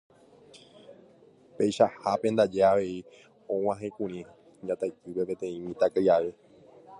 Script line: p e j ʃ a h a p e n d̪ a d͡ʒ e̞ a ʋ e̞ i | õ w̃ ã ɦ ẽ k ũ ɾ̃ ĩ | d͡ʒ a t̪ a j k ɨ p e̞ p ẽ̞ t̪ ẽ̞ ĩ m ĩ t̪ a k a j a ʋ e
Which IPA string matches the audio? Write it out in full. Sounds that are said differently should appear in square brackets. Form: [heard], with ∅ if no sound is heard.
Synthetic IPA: p e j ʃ a h a p e n d̪ a d͡ʒ e̞ a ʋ e̞ i | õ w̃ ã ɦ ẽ k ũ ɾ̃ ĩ | d͡ʒ a t̪ a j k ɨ p e̞ p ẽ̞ t̪ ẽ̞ ĩ m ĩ t̪ a k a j a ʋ e

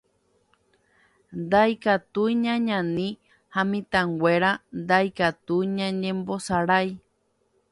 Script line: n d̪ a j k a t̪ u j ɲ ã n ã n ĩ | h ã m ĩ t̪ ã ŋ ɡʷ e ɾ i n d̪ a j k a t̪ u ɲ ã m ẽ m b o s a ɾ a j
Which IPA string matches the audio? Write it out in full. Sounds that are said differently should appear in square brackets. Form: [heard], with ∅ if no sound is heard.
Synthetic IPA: n d̪ a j k a t̪ u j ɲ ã [ɲ] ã n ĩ | h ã m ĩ t̪ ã ŋ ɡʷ e ɾ [a] n d̪ a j k a t̪ u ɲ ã [ɲ] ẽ m b o s a ɾ a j

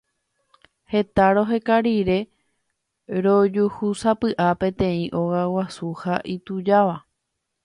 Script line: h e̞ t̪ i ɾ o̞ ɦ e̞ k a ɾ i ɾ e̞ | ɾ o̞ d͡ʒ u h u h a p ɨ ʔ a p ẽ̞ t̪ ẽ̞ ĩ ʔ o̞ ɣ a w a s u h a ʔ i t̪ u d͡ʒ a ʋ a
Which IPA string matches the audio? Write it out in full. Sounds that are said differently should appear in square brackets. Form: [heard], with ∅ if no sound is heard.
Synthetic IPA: h e̞ t̪ [a] ɾ o̞ ɦ e̞ k a ɾ i ɾ e̞ | ɾ o̞ d͡ʒ u h u [s] a p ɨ ʔ a p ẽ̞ t̪ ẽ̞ ĩ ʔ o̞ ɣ a w a s u h a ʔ i t̪ u d͡ʒ a ʋ a

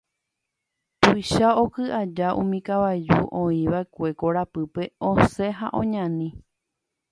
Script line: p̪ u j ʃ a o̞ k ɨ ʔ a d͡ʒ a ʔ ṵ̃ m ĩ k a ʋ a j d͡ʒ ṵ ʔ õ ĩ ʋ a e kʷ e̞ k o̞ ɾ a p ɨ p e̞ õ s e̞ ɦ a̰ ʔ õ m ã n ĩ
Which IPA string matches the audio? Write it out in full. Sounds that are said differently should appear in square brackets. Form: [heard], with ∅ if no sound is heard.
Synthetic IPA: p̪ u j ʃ a o̞ k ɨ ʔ a d͡ʒ a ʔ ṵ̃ m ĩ k a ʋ a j d͡ʒ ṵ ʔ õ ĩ ʋ a e kʷ e̞ k o̞ ɾ a p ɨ p e̞ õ s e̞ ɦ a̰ ʔ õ [ɲ] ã n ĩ

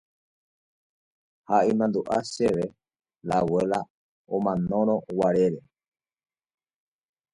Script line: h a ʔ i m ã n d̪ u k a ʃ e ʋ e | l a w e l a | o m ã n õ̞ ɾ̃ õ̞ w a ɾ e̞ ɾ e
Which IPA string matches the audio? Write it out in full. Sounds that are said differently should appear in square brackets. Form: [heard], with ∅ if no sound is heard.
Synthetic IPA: h a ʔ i m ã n d̪ u [ʔ] a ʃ e ʋ e | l a w e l a | o m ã n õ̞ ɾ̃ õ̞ w a ɾ e̞ ɾ e

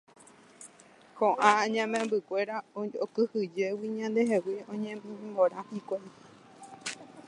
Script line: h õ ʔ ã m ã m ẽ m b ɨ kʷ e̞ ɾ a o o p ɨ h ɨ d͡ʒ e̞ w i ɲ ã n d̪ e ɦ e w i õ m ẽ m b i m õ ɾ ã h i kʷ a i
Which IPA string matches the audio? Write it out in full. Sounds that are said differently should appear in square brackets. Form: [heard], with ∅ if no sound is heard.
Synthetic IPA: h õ ʔ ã [ɲ] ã m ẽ m b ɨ kʷ e̞ ɾ a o o [k] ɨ h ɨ d͡ʒ e̞ w i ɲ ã n d̪ e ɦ e w i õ [ɲ] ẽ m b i m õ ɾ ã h i kʷ a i

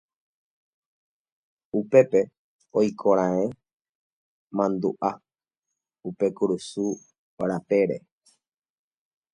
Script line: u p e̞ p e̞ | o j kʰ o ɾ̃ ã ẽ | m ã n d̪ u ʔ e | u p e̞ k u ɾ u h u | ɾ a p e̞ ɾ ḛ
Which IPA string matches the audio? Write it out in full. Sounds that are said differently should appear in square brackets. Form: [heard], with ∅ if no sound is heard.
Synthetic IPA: u p e̞ p e̞ | o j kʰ o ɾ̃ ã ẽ | m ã n d̪ u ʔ [a] | u p e̞ k u ɾ u [s] u | ɾ a p e̞ ɾ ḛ

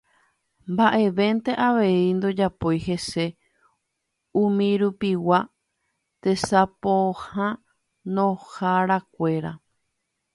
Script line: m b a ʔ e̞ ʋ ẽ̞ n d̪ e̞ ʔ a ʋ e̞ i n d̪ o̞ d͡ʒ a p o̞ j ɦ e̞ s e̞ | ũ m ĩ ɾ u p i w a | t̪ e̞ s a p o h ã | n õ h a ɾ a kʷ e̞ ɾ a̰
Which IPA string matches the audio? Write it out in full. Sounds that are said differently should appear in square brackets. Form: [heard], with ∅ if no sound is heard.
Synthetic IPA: m b a ʔ e̞ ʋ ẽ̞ n [t̪] e̞ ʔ a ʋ e̞ i n d̪ o̞ d͡ʒ a p o̞ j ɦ e̞ s e̞ | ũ m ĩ ɾ u p i w a | t̪ e̞ s a p o h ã | n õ h a ɾ a kʷ e̞ ɾ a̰

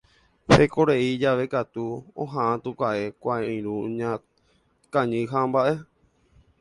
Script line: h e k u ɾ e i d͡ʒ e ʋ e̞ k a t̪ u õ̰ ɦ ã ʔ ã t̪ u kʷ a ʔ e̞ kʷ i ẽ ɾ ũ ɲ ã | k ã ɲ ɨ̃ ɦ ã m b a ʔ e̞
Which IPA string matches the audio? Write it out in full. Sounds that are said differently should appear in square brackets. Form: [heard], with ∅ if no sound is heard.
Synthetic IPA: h e k [o] ɾ e i d͡ʒ [a] ʋ e̞ k a t̪ u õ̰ ɦ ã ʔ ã t̪ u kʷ a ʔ e̞ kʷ [a] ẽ ɾ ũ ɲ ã | k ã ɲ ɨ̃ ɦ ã m b a ʔ e̞

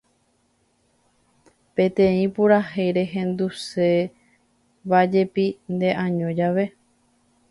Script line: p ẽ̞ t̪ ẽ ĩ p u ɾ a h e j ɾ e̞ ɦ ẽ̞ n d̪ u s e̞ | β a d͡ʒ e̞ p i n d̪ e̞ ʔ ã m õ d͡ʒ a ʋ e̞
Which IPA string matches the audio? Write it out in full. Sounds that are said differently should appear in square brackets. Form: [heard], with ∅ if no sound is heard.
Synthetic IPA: p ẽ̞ t̪ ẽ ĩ p u ɾ a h e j ɾ e̞ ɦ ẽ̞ n d̪ u s e̞ | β a d͡ʒ e̞ p i n d̪ e̞ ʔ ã [ɲ] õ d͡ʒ a ʋ e̞

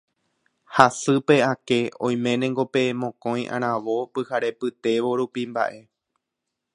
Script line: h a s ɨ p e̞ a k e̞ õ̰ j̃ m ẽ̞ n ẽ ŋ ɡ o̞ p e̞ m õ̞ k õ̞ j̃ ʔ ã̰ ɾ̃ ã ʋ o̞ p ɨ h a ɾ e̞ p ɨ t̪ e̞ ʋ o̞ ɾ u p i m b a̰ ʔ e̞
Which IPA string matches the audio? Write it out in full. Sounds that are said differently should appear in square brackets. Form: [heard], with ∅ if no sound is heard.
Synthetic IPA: h a s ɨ p e̞ a k e̞ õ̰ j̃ m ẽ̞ n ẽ ŋ ɡ o̞ p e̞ m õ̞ k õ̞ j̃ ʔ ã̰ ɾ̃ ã ʋ o̞ p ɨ h a ɾ e̞ p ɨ t̪ e̞ ʋ o̞ ɾ u p i m b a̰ ʔ e̞

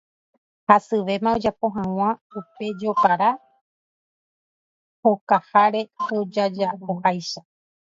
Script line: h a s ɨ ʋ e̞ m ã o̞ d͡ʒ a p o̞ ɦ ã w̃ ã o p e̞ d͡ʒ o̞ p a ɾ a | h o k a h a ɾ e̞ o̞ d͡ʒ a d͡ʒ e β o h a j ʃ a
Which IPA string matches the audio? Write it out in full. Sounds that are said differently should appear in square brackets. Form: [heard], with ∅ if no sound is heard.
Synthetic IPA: h a s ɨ ʋ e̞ m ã o̞ d͡ʒ a p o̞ ɦ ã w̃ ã [u] p e̞ d͡ʒ o̞ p a ɾ a | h o k a h a ɾ e̞ o̞ d͡ʒ a d͡ʒ [a] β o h a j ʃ a

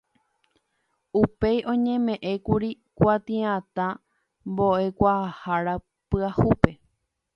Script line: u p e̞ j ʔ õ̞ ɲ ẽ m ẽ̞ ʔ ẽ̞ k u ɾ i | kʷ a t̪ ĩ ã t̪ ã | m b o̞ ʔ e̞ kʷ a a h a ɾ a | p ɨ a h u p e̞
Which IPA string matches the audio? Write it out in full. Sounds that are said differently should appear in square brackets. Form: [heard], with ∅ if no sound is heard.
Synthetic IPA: u p e̞ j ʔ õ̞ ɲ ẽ m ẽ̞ ʔ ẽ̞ k u ɾ i | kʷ a t̪ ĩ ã t̪ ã | m b o̞ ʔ e̞ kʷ a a h a ɾ a | p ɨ a h u p e̞

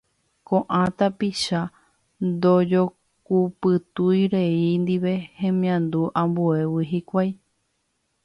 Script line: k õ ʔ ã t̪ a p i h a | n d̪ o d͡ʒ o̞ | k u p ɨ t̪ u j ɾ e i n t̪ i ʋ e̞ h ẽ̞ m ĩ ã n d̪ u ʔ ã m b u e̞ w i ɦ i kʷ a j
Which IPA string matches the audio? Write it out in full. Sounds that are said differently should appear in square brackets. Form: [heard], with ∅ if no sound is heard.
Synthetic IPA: k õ ʔ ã t̪ a p i [ʃ] a | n d̪ o d͡ʒ o̞ | k u p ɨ t̪ u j ɾ e i n [d̪] i ʋ e̞ h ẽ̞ m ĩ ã n d̪ u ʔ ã m b u e̞ w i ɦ i kʷ a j

